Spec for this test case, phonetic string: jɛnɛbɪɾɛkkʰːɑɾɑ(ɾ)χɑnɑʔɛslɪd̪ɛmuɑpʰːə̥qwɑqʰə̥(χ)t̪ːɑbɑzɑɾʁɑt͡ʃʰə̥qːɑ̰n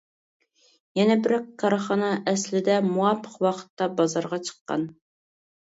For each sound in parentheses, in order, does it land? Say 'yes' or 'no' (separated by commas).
no, no